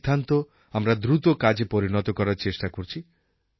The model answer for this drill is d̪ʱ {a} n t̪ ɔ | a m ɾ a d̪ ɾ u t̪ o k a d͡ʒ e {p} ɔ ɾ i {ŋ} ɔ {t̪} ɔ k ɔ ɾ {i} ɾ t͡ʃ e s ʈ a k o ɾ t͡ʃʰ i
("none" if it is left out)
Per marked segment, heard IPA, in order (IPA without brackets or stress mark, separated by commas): a, p, n, t̪, a